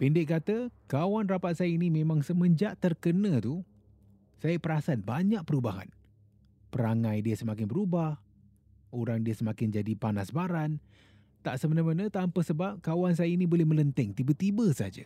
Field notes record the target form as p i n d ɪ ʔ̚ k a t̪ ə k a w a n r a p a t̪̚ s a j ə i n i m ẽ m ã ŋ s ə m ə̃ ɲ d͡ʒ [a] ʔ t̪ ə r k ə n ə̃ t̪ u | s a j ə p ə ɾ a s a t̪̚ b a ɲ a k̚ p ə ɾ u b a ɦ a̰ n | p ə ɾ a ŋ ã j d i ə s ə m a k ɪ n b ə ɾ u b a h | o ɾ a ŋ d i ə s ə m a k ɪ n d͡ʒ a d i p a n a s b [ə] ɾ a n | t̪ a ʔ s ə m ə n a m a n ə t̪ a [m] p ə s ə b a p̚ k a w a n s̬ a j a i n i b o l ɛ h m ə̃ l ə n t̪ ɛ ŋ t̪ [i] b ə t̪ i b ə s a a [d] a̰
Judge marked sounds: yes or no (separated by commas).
yes, no, yes, yes, no